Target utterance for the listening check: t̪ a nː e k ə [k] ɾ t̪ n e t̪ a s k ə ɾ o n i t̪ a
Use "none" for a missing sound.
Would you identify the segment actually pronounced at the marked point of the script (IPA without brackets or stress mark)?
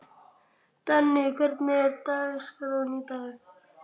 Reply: none